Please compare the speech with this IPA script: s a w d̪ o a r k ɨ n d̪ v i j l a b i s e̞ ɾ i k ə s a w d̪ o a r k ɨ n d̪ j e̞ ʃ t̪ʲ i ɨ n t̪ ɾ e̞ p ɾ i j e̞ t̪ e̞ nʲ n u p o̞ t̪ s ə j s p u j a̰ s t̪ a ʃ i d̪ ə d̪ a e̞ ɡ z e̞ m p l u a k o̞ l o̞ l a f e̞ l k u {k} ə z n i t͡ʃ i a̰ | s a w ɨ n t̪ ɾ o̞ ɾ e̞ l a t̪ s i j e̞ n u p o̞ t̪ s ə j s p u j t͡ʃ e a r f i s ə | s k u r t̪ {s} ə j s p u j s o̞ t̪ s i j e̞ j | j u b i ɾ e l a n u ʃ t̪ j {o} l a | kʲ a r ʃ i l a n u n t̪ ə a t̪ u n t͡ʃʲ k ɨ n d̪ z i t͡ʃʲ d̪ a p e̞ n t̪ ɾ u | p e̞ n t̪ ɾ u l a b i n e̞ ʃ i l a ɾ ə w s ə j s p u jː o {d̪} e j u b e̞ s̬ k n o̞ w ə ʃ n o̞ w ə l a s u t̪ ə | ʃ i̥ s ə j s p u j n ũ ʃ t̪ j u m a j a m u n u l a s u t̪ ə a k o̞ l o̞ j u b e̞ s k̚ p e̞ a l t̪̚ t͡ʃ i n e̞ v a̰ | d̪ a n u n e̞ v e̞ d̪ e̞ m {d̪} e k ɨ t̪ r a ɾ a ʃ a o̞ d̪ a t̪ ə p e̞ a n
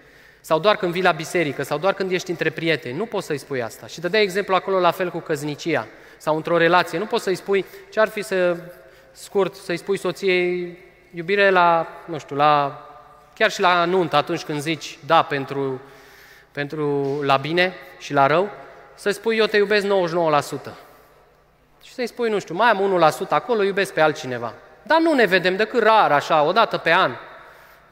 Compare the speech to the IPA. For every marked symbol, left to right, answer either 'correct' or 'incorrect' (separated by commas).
correct, correct, incorrect, incorrect, correct